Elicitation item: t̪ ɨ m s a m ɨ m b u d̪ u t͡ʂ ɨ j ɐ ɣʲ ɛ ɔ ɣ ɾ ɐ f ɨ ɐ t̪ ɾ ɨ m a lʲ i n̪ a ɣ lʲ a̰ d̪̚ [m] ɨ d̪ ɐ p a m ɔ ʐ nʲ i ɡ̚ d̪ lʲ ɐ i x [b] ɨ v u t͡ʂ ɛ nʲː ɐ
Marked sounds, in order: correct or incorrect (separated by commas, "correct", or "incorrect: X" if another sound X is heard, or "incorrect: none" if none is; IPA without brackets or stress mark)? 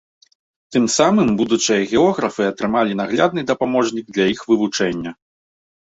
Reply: incorrect: n, incorrect: v